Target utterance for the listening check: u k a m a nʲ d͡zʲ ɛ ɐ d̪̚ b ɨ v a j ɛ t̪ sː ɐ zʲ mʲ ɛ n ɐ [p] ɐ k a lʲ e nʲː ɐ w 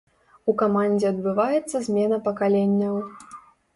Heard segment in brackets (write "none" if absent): p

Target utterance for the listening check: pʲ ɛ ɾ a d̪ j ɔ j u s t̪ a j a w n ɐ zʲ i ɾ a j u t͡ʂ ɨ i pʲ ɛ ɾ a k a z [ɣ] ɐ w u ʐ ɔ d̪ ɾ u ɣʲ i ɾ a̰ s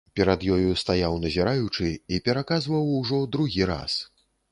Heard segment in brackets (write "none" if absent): v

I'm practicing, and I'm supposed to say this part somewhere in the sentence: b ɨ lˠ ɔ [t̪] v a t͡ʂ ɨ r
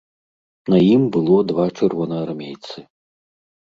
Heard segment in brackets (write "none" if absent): d̪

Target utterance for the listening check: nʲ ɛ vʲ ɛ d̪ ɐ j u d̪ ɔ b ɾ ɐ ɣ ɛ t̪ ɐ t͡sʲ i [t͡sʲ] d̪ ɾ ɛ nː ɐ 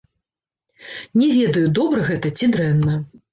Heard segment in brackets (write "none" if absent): none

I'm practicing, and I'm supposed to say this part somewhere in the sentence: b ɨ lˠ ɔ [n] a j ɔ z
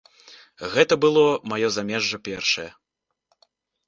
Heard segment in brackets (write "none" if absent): m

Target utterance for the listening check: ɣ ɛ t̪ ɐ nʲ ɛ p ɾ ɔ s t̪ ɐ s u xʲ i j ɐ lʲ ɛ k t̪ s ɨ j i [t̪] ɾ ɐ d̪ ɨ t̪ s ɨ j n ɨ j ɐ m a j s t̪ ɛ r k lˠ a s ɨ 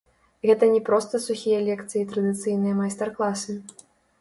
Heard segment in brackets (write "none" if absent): t̪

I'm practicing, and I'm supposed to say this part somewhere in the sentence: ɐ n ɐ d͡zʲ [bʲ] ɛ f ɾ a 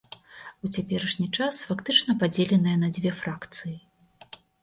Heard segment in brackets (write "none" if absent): vʲ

